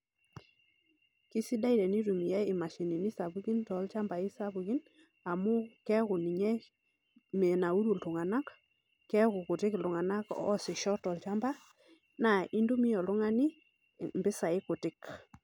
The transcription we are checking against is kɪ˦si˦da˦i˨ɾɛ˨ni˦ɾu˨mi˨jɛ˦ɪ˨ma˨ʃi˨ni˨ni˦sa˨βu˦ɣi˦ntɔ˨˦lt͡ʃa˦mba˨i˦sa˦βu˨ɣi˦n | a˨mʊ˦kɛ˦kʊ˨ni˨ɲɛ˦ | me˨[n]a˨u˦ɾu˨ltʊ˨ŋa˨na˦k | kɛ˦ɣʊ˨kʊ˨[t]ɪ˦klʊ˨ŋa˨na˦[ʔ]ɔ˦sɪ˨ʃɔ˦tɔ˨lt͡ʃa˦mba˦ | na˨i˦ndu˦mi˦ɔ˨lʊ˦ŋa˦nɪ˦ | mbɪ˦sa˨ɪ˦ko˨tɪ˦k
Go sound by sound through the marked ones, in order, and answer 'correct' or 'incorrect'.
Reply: correct, correct, incorrect: k

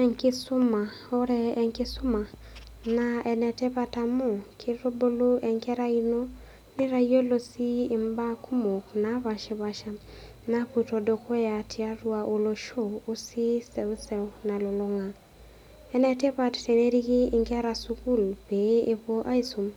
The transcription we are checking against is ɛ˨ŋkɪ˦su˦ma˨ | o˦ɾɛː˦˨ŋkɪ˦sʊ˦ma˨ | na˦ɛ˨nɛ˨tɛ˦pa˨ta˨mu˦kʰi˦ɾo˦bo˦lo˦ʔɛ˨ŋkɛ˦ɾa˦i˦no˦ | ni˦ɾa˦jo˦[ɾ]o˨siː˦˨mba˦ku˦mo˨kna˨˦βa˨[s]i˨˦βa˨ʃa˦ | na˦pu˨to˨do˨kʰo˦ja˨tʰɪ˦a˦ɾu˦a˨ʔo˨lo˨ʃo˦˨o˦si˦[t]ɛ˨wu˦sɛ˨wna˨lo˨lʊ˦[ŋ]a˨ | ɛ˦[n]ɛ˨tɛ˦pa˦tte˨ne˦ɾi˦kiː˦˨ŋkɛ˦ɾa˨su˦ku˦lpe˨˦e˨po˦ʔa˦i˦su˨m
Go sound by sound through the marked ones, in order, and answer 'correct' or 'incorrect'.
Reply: incorrect: l, incorrect: ʃ, incorrect: s, correct, correct

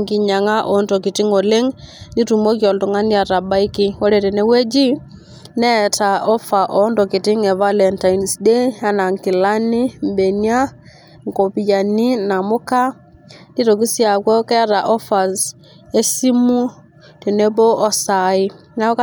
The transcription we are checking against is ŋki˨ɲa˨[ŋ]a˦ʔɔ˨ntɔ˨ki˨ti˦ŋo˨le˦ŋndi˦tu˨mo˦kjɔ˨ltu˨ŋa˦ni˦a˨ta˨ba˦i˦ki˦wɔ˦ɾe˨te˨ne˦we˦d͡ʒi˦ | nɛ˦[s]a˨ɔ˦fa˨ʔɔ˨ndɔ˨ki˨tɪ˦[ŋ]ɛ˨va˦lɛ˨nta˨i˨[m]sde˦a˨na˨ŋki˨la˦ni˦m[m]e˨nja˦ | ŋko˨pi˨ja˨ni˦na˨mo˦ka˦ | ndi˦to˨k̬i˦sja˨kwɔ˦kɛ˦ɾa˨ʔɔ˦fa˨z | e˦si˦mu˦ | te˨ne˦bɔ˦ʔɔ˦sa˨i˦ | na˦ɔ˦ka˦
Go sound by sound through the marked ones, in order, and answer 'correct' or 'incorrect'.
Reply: correct, incorrect: t, correct, incorrect: n, incorrect: b

